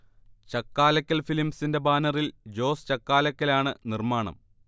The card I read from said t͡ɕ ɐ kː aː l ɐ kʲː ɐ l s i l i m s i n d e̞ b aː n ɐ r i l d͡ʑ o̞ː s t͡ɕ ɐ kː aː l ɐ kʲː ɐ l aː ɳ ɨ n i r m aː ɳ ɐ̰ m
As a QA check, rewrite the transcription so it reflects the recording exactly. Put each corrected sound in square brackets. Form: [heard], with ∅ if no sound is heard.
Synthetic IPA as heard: t͡ɕ ɐ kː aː l ɐ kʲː ɐ l [f] i l i m s i n d e̞ b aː n ɐ r i l d͡ʑ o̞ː s t͡ɕ ɐ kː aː l ɐ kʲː ɐ l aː ɳ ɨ n i r m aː ɳ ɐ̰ m